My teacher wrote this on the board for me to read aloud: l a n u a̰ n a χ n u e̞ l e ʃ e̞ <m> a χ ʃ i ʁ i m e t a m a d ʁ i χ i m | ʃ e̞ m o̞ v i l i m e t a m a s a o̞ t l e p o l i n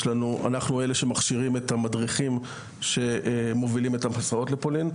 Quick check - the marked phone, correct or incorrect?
correct